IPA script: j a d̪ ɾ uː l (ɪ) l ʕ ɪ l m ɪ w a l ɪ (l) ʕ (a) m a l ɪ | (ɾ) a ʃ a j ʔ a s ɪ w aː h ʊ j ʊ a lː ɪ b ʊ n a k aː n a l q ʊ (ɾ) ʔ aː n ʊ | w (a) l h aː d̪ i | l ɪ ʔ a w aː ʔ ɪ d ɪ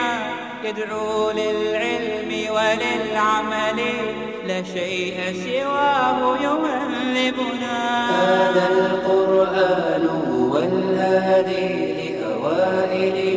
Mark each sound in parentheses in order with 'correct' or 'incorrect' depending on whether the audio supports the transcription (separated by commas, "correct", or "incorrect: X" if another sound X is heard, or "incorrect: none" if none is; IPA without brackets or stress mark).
correct, correct, correct, incorrect: l, correct, correct